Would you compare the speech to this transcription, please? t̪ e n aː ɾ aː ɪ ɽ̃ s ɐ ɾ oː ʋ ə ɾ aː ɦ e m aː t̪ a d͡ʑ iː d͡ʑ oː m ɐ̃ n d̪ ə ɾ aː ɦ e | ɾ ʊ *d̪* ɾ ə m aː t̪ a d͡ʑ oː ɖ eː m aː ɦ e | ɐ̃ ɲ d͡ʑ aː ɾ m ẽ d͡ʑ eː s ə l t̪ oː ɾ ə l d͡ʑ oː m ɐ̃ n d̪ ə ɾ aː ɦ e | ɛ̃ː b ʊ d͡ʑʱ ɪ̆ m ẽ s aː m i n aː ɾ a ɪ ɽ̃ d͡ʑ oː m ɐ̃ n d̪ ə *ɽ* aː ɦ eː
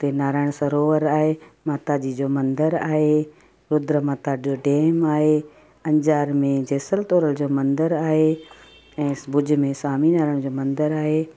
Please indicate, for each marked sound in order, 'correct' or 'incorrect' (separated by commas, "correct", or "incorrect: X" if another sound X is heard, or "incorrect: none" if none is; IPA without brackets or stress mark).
correct, incorrect: ɾ